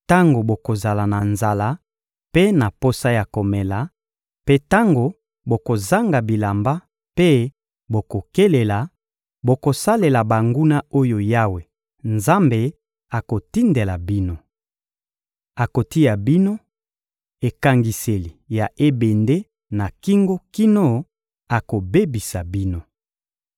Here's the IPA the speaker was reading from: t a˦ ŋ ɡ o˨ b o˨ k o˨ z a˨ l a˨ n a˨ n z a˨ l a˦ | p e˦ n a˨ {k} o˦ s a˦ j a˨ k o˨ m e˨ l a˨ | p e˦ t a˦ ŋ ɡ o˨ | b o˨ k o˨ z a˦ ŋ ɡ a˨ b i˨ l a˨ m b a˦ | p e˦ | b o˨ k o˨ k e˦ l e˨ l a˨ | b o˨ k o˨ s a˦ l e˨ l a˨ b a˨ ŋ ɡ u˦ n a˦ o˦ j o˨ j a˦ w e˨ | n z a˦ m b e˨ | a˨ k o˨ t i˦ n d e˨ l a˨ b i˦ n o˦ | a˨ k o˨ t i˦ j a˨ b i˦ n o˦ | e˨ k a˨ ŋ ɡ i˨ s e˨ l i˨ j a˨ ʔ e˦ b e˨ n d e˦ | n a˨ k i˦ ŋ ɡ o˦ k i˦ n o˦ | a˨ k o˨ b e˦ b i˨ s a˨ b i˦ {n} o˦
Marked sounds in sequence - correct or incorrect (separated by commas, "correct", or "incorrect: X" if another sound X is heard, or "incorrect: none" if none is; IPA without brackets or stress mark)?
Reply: incorrect: p, correct